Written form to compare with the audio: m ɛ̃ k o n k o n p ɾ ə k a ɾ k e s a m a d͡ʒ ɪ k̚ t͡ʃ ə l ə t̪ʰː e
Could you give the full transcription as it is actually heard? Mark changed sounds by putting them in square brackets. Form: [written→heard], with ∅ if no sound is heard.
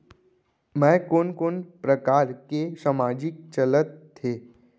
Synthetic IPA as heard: m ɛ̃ k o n k o n p ɾ ə k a ɾ k e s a m a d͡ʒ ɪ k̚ t͡ʃ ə l ə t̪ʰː e

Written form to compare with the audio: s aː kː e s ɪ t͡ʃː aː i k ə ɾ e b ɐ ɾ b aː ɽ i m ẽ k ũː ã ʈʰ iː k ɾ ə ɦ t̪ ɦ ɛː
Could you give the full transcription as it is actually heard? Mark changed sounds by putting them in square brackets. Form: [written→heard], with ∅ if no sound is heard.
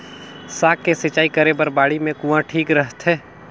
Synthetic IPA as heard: s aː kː e s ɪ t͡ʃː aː i k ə ɾ e b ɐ ɾ b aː ɽ i m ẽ k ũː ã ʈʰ iː k ɾ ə ɦ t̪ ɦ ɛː

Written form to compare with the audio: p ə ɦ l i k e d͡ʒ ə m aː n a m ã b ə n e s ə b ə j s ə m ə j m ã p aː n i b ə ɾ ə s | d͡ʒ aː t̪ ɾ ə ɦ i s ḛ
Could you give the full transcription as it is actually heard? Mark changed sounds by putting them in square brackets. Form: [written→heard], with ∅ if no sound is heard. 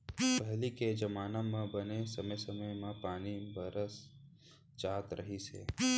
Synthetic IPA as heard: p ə ɦ l i k e d͡ʒ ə m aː n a m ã b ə n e s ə [b→m] ə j s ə m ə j m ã p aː n i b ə ɾ ə s | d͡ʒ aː t̪ ɾ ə ɦ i s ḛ

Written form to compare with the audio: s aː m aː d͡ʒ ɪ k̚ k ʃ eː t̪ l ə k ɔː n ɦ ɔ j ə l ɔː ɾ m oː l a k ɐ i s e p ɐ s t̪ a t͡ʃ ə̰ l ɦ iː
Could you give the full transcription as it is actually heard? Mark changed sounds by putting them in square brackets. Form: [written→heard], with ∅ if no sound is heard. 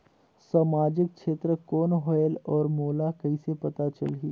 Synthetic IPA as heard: s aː m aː d͡ʒ ɪ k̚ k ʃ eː t̪ [l→ɾ] ə k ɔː n ɦ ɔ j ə l ɔː ɾ m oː l a k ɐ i s e p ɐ [s→∅] t̪ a t͡ʃ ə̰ l ɦ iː

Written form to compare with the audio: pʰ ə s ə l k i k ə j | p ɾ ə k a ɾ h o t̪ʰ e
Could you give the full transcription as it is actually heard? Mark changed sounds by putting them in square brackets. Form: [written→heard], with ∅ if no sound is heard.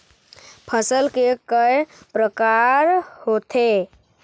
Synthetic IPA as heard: pʰ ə s ə l k [i→e] k ə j | p ɾ ə k a ɾ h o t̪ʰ e

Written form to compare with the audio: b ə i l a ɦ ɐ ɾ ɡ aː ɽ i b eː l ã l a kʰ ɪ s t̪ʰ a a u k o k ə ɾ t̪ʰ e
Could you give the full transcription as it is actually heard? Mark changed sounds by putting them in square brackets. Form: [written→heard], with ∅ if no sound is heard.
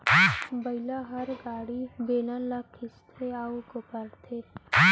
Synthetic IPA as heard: b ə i l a ɦ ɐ ɾ ɡ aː ɽ i b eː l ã l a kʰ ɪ s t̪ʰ [a→e] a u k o [k→p] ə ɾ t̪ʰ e

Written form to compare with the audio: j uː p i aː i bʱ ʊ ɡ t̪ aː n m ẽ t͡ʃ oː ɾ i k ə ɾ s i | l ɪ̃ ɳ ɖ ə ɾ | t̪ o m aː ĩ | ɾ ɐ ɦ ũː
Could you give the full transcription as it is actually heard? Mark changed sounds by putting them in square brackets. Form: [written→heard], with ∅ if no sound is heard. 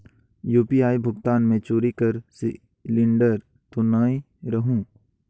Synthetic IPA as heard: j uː p i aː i bʱ ʊ ɡ t̪ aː n m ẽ t͡ʃ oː ɾ i k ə ɾ s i | l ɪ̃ ɳ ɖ ə ɾ | t̪ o [m→n] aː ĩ | ɾ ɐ ɦ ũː

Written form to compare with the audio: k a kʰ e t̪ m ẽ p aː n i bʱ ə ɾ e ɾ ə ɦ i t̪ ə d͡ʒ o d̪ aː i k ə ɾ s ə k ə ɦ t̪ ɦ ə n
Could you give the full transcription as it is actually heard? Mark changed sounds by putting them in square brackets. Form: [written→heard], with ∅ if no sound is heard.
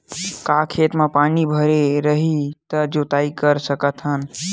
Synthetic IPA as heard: k a kʰ e t̪ m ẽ p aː n i bʱ ə ɾ e ɾ ə ɦ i t̪ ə d͡ʒ o [d̪→t̪] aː i k ə ɾ s ə k ə [ɦ→∅] t̪ ɦ ə n

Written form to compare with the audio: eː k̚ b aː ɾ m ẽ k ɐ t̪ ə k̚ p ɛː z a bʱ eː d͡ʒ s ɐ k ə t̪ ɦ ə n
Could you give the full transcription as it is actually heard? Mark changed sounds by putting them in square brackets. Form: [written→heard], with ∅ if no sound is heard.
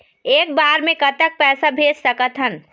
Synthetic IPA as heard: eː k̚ b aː ɾ m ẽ k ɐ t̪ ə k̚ p ɛː [z→s] a bʱ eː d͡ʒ s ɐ k ə t̪ ɦ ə n

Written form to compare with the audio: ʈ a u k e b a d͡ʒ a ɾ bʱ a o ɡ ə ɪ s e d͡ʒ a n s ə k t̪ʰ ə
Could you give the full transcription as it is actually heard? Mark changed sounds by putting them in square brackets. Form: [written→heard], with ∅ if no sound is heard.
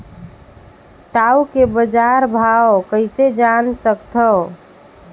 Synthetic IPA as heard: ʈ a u k e b [a→ə] d͡ʒ a ɾ bʱ a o [ɡ→k] ə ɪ s e d͡ʒ a n s ə k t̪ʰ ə

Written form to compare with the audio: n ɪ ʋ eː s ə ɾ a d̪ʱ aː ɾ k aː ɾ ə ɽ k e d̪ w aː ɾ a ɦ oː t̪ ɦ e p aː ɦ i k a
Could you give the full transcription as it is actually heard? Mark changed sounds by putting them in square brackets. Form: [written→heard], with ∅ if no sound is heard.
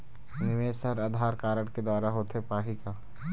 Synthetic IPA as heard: n ɪ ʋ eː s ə ɾ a d̪ʱ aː ɾ k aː ɾ ə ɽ k e d̪ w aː ɾ a ɦ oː t̪ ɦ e p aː ɦ i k a

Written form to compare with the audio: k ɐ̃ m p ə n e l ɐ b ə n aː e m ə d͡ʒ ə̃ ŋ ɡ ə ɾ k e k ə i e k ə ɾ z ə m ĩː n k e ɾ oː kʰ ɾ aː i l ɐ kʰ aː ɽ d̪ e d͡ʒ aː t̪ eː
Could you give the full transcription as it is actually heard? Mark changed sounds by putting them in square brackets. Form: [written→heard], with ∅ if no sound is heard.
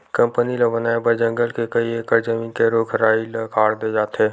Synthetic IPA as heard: k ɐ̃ m p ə n [e→i] l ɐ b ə n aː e [m→b] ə d͡ʒ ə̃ ŋ ɡ ə [ɾ→l] k e k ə i e k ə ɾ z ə m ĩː n k e ɾ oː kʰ ɾ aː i l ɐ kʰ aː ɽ d̪ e d͡ʒ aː t̪ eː

